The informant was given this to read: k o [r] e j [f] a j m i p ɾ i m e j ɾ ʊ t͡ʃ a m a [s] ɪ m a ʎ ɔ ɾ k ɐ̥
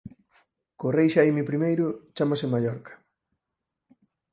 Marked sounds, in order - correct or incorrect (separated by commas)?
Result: correct, incorrect, correct